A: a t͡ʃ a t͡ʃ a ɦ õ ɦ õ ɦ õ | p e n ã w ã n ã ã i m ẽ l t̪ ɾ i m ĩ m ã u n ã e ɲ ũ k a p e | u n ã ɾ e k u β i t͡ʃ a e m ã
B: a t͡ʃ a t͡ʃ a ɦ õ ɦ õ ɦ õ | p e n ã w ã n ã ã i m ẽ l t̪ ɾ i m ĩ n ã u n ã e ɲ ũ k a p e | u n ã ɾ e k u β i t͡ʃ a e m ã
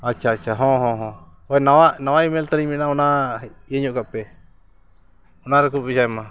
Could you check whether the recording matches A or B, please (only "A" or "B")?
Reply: B